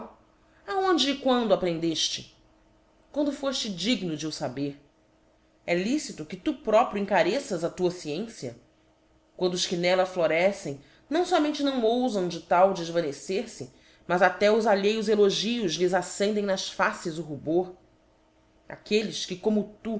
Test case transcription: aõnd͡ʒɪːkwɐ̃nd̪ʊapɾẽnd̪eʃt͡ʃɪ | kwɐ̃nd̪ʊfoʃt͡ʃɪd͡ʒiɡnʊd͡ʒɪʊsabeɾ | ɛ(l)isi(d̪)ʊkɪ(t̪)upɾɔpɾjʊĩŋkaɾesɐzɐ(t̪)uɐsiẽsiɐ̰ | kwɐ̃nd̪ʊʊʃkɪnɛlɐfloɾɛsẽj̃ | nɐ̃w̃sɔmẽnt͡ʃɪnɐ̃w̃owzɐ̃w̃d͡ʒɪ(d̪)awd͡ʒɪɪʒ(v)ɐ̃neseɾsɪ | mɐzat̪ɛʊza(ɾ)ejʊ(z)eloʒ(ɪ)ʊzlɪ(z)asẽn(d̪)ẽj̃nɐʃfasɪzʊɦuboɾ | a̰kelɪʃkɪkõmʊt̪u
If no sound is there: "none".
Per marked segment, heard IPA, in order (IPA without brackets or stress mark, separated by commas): l, t̪, t̪, t̪, t̪, v, ʎ, z, i, z, d̪